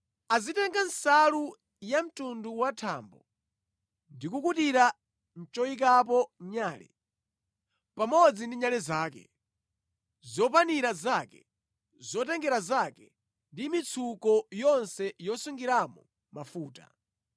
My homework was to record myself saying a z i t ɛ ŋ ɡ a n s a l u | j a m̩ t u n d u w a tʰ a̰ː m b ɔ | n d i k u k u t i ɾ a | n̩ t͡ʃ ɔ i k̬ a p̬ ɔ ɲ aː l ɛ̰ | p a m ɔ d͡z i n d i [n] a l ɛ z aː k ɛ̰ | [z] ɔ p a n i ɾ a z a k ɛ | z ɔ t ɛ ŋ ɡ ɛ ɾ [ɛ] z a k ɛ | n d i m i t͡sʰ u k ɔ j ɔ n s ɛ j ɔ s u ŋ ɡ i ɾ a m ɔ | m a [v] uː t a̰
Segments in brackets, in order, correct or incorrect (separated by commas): incorrect, correct, incorrect, incorrect